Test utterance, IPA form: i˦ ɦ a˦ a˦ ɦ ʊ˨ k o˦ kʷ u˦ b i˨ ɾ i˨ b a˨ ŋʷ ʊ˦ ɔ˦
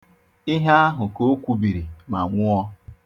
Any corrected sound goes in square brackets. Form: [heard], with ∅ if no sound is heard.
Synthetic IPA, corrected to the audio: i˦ ɦ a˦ a˦ ɦ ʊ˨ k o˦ kʷ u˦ b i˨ ɾ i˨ [m] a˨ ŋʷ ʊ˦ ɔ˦